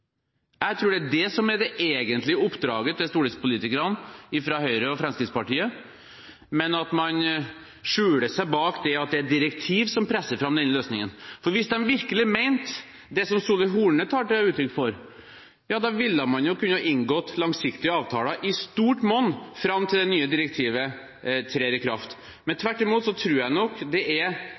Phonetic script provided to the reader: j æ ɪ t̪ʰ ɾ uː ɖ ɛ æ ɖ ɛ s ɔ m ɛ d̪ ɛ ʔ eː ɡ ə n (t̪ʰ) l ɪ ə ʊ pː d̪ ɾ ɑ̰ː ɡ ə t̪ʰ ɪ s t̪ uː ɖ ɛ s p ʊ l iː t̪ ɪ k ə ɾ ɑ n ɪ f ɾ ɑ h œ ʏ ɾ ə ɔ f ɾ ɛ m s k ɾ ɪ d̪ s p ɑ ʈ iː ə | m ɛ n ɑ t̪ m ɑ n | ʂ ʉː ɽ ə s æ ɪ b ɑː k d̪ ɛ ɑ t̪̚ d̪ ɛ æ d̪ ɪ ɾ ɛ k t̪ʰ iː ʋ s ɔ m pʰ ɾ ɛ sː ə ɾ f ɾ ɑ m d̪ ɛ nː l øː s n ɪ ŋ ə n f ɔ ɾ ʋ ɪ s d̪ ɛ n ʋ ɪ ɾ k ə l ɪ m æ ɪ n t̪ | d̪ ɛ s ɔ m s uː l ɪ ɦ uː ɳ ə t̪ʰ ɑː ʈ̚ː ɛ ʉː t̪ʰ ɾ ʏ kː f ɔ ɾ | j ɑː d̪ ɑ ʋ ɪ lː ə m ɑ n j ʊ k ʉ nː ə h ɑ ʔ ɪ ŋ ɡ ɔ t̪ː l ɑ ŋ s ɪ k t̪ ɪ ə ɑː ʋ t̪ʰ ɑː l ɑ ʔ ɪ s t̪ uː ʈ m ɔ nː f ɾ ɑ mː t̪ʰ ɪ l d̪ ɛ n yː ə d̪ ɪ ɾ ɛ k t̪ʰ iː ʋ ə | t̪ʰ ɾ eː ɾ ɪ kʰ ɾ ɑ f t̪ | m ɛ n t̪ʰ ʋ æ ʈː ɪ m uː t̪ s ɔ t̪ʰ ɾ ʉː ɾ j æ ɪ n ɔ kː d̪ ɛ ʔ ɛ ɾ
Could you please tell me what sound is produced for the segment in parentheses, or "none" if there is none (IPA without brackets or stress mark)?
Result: t̪